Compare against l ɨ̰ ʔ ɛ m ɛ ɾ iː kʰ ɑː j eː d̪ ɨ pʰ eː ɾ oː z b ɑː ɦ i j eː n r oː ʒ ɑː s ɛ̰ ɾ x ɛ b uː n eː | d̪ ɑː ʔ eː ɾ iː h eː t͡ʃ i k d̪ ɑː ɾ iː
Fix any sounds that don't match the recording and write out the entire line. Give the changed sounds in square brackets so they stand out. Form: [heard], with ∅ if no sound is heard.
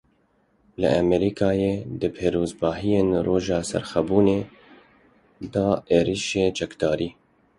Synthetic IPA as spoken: l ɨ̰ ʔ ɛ m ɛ ɾ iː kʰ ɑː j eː d̪ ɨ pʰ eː ɾ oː z b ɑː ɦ i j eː n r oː ʒ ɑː s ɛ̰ ɾ x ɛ b uː n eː | d̪ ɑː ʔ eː ɾ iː [ʃ] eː t͡ʃ [ɛ] k d̪ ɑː ɾ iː